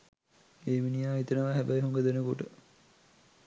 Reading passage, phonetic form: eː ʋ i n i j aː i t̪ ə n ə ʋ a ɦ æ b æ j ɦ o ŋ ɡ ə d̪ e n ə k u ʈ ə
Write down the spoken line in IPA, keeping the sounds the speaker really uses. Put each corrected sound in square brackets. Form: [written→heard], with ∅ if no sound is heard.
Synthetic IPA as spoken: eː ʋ i n i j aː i t̪ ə n ə ʋ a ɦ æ b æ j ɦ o ŋ ɡ ə d̪ e n ə k [u→o] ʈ ə